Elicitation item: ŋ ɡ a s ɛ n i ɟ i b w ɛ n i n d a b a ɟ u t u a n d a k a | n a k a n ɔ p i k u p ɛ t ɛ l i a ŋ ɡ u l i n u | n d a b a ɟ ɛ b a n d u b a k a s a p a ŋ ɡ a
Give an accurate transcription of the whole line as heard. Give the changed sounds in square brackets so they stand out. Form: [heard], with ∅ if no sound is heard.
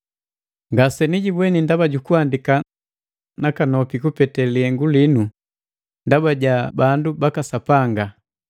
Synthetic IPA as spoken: ŋ ɡ a s ɛ n i ɟ i b w ɛ n i n d a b a ɟ u [k] u a n d [i] k a | n a k a n ɔ p i k u p ɛ t ɛ l i [ɛ] ŋ ɡ u l i n u | n d a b a ɟ [a] b a n d u b a k a s a p a ŋ ɡ a